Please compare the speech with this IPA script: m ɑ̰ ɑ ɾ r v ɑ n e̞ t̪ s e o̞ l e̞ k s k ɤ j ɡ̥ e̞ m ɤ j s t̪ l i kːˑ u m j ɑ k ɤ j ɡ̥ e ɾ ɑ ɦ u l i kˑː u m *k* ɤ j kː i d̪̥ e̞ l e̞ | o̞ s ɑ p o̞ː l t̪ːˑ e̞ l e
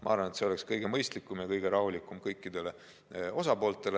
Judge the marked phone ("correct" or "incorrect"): correct